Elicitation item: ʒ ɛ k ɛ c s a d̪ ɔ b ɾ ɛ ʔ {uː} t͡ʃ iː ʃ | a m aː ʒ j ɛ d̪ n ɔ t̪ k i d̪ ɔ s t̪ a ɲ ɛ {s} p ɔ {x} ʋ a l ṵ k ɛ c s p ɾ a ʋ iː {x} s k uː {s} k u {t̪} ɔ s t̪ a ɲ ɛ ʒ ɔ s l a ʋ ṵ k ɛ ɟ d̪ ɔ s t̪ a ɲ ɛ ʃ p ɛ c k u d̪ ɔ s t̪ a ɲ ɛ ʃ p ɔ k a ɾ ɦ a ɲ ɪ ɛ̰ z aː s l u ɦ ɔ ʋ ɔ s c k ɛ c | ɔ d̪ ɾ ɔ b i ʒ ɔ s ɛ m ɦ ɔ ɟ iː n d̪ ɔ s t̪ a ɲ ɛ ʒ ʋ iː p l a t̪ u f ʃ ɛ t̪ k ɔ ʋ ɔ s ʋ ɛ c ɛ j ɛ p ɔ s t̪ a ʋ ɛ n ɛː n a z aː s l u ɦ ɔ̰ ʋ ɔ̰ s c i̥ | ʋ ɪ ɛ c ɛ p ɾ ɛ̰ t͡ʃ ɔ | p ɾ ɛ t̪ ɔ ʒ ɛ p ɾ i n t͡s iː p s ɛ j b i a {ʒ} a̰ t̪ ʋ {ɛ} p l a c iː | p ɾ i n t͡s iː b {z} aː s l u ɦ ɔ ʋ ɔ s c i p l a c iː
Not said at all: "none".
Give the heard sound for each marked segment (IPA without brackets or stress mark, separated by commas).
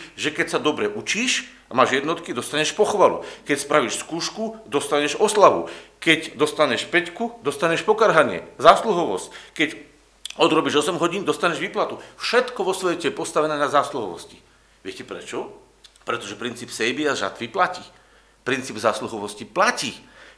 u, ʃ, x, ʃ, ʃ, d̪, ʒ, i, z